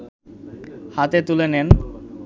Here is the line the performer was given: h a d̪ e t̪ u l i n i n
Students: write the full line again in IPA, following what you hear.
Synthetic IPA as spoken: h a t̪ e t̪ u l e n e n